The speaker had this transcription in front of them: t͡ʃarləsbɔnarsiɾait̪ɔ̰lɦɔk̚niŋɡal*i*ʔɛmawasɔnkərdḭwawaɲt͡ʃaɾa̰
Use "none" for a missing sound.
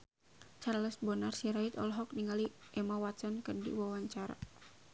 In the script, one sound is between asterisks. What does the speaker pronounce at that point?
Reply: i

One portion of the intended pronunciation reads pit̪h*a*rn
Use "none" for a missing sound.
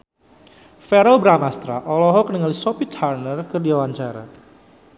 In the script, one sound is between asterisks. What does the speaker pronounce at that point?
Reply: a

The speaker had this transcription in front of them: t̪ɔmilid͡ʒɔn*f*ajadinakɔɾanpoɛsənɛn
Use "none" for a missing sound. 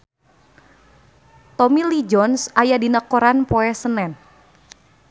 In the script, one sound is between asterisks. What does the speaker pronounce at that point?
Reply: s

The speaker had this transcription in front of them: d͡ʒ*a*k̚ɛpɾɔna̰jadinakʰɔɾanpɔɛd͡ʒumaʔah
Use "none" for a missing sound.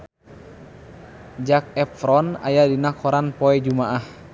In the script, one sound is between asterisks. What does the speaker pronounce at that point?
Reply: a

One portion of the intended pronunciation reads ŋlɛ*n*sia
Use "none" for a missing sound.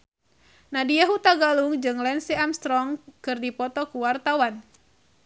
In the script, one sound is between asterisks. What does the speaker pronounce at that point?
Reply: n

